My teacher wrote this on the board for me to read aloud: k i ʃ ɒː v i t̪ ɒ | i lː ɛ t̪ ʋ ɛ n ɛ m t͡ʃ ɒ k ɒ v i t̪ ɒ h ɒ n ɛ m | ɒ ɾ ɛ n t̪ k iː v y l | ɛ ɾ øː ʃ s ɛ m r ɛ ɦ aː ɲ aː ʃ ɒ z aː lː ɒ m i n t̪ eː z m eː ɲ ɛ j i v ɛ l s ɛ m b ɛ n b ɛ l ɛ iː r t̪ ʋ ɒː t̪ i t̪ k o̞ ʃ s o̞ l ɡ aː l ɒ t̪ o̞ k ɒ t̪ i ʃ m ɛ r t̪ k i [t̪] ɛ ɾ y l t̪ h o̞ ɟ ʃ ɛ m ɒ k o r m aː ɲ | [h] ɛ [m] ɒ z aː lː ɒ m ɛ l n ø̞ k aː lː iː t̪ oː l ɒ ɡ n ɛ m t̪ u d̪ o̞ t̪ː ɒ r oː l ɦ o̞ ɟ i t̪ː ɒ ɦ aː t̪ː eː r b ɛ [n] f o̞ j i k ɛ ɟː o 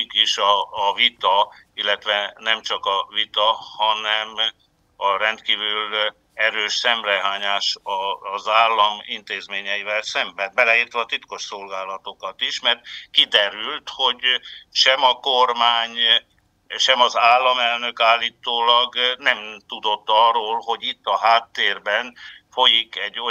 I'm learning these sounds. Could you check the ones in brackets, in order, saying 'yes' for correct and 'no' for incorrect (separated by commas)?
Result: no, no, yes, yes